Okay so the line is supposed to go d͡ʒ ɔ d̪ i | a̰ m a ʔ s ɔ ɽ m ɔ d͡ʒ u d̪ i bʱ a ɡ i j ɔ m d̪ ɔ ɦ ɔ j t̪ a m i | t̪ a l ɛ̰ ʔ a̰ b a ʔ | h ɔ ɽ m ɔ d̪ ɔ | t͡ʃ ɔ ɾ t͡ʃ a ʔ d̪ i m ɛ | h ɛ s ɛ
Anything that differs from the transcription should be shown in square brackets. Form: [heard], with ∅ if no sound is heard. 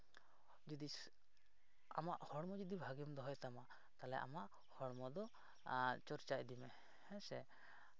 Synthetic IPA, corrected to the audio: d͡ʒ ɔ d̪ i | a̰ m a ʔ [h] ɔ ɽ m ɔ d͡ʒ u d̪ i bʱ a ɡ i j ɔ m d̪ ɔ ɦ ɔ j t̪ a m [a] | t̪ a l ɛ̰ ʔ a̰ [m] a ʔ | h ɔ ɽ m ɔ d̪ ɔ | t͡ʃ ɔ ɾ t͡ʃ a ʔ d̪ i m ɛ | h ɛ s ɛ